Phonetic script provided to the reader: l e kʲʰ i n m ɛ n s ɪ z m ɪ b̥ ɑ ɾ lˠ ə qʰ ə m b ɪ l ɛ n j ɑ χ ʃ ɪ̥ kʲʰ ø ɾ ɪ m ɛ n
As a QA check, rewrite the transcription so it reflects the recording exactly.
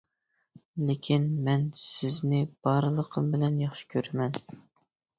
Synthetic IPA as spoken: l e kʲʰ i n m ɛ n s ɪ z n ɪ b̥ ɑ ɾ lˠ ə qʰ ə m b ɪ l ɛ n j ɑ χ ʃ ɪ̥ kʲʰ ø ɾ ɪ m ɛ n